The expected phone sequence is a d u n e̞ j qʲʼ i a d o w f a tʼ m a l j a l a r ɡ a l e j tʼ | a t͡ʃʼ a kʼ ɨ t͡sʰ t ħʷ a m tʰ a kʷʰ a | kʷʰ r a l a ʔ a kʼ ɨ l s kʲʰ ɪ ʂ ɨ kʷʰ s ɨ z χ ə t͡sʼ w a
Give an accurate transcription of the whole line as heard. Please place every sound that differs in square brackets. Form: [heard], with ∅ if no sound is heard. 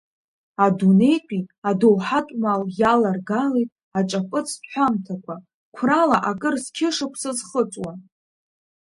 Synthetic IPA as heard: a d u n e̞ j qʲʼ i a d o w [ħ] a tʼ m a l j a l a r ɡ a l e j tʼ | a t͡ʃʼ a [pʼ] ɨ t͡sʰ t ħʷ a m tʰ a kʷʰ a | kʷʰ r a l a ʔ a kʼ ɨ [r] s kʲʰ ɪ ʂ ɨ kʷʰ s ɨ z χ ə t͡sʼ w a

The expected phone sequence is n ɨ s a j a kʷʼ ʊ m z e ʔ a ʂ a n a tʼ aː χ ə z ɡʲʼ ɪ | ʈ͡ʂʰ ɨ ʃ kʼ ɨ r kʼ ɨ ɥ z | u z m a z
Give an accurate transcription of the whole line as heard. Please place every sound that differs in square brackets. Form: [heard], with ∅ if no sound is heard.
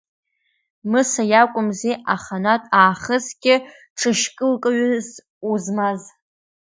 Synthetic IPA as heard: [m] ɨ s a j a kʷʼ ʊ m z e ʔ a [χ] a n a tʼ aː χ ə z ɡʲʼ ɪ | ʈ͡ʂʰ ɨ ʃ kʼ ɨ [l] kʼ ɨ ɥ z | u z m a z

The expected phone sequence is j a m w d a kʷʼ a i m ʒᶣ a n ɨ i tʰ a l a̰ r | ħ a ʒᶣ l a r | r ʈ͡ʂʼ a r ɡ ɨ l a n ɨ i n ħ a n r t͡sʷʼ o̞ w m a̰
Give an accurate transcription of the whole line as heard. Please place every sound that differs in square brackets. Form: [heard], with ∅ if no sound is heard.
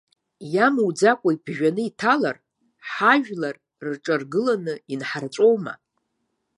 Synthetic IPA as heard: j a m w [d͡z] a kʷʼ a i [b] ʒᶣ a n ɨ i tʰ a l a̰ r | ħ a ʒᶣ l a r | r ʈ͡ʂʼ a r ɡ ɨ l a n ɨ i n ħ a [∅] r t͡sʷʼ o̞ w m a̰

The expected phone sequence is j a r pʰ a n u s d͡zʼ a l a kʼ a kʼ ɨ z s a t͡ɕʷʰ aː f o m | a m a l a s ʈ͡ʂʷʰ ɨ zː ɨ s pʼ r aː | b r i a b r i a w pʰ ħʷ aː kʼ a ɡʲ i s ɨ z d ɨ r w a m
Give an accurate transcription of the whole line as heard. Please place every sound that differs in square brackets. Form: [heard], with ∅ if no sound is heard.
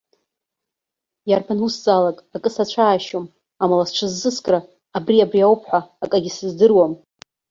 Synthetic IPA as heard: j a r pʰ a n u s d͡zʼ a l a kʼ a kʼ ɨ [∅] s a t͡ɕʷʰ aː [ʃ] o m | a m a l a s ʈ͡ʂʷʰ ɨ zː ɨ s [kʼ] r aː | b r i a b r i a w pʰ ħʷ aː kʼ a ɡʲ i s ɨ z d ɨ r w a m

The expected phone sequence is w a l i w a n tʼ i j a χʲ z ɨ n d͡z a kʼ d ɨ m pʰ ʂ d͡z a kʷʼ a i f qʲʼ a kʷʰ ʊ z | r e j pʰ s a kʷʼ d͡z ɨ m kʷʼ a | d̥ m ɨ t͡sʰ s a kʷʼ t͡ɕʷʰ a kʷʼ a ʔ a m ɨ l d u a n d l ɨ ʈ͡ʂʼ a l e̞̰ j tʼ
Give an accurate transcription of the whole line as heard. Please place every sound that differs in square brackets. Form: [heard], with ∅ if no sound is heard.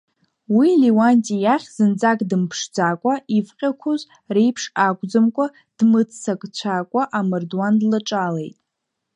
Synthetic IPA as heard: w [i] l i w a n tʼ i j a χʲ z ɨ n d͡z a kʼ d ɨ m pʰ ʂ d͡z a kʷʼ a i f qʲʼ a kʷʰ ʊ z | r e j pʰ [ʂ] a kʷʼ d͡z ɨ m kʷʼ a | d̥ m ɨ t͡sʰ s a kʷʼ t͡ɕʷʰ a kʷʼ a ʔ a m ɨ [r] d [w] a n d l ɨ ʈ͡ʂʼ a l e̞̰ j tʼ

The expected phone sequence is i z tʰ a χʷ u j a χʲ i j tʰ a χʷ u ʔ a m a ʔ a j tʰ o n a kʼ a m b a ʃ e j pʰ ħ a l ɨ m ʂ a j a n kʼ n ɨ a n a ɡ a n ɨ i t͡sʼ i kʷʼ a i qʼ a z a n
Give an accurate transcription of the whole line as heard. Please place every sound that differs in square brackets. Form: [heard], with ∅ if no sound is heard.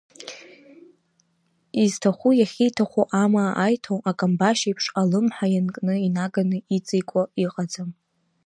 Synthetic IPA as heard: i z tʰ a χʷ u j a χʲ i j tʰ a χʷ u ʔ a m a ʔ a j tʰ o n a kʼ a m b a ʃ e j pʰ [ʂ] a l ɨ m [ħ] a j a n kʼ n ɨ [i] n a ɡ a n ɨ i t͡sʼ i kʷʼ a i qʼ a [d͡z] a [m]

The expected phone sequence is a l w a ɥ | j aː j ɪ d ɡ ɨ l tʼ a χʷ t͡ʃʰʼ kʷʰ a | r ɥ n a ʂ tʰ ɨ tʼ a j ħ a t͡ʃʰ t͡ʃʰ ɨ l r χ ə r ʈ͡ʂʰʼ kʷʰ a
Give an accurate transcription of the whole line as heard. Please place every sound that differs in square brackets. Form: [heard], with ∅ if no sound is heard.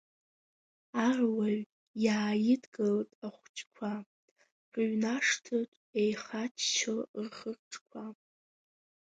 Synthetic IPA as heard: a [r] w a ɥ | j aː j ɪ d ɡ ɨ l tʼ a χʷ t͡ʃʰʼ kʷʰ a | r ɥ n a ʂ tʰ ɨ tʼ [e] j [χ] a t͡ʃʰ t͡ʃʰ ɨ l r χ ə r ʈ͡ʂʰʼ kʷʰ a

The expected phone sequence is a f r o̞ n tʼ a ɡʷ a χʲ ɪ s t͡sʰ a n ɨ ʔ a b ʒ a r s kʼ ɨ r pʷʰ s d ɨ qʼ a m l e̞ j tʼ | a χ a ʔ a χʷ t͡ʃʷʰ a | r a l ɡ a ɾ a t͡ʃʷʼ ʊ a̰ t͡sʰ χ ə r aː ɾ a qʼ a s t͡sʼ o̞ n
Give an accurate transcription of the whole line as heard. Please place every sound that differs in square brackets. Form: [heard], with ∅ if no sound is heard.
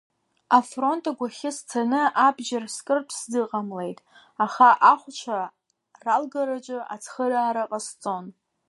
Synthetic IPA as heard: a f r o̞ n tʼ a ɡʷ a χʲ ɪ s t͡sʰ a n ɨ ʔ a b ʒ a r s kʼ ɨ r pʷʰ s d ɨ qʼ a m l e̞ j tʼ | a χ a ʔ a χʷ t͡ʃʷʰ a | r a l ɡ a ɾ a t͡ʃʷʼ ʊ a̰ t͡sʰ χ ə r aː ɾ a qʼ a s t͡sʼ o̞ n

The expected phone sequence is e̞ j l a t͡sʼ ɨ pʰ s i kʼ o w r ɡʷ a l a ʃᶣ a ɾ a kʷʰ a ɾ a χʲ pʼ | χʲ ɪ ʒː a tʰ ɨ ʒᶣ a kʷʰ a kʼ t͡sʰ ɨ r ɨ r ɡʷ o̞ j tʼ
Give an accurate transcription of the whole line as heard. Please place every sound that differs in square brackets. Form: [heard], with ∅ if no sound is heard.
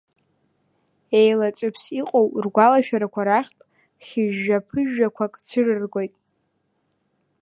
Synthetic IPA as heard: e̞ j l a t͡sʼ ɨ pʰ s i [qʼ] o w r ɡʷ a l a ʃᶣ a ɾ a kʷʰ a ɾ a χʲ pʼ | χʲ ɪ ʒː a [pʰ] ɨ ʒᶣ a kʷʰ a kʼ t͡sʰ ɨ r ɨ r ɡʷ o̞ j tʼ

